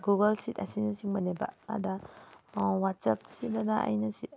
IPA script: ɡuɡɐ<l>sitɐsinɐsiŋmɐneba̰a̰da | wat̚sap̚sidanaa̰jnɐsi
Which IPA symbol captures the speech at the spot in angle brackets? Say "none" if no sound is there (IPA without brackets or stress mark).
l